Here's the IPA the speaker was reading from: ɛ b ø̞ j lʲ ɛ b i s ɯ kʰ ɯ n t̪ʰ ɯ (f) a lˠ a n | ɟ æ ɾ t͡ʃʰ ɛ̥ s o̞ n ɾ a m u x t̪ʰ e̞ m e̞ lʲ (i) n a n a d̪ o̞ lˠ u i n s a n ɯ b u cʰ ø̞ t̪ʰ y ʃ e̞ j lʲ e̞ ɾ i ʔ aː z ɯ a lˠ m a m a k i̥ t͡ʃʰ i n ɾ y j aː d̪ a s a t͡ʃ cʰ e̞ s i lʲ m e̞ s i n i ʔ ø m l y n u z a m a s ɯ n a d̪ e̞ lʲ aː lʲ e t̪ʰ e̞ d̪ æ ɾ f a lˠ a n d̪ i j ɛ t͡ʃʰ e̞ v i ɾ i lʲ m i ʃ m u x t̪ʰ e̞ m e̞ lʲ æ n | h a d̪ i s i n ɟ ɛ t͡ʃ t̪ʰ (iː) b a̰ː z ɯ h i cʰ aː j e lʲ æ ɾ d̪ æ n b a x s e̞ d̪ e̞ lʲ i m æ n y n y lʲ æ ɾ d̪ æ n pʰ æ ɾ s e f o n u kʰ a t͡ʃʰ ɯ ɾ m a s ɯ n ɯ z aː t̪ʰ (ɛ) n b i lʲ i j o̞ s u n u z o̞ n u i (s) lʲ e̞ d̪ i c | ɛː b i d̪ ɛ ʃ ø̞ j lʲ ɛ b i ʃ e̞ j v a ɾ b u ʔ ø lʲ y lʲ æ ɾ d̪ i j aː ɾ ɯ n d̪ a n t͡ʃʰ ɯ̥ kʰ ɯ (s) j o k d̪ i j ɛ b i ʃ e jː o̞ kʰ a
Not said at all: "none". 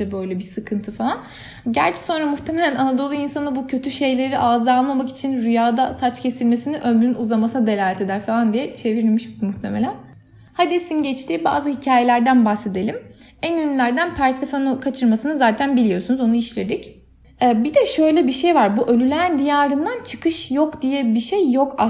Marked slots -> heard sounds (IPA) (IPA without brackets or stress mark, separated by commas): f, æ, iː, æ, ʃ, ʃ